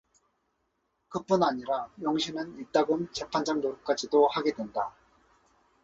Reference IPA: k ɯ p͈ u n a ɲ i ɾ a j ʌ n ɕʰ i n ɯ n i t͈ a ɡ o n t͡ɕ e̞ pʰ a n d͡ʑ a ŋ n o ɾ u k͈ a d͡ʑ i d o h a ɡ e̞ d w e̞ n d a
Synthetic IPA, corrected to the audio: k ɯ p͈ u n a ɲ i ɾ a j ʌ ŋ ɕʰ i n ɯ n i t͈ a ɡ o n t͡ɕ e̞ pʰ a n d͡ʑ a ŋ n o ɾ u k͈ a d͡ʑ i d o h a ɡ e̞ d w e̞ n d a